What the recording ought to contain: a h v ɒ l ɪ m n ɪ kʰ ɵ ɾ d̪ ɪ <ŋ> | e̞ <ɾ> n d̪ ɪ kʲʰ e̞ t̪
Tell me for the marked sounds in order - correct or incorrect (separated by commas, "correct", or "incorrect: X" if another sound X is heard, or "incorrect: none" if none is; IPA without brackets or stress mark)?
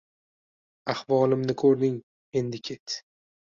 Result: correct, incorrect: none